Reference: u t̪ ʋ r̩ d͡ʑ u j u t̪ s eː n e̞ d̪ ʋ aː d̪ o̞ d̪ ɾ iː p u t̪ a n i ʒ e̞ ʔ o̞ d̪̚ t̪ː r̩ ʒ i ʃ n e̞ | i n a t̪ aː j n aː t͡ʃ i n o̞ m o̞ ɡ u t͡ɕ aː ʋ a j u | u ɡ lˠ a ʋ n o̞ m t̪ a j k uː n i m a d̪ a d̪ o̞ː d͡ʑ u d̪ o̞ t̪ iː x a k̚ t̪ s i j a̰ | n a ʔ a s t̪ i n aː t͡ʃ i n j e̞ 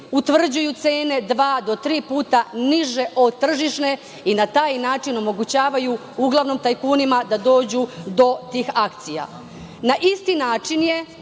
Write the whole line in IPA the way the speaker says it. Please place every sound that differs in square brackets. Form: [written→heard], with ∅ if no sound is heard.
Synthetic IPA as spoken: u t̪ ʋ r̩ d͡ʑ u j u t̪ s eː n e̞ d̪ ʋ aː d̪ o̞ [d̪→t̪] ɾ iː p [u→uː] t̪ a n i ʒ e̞ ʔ o̞ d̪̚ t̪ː r̩ ʒ i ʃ n e̞ | i n a t̪ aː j n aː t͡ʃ i n o̞ m o̞ ɡ u t͡ɕ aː ʋ a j u | u ɡ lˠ a ʋ n o̞ m t̪ a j k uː n i m a d̪ a d̪ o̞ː d͡ʑ u d̪ o̞ t̪ iː x a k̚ t̪ s i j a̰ | n a ʔ [a→i] s t̪ i n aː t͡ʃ i n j e̞